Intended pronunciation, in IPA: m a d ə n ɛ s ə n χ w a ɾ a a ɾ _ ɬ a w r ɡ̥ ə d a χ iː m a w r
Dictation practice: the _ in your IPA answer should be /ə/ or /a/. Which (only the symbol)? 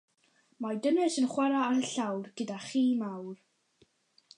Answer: ə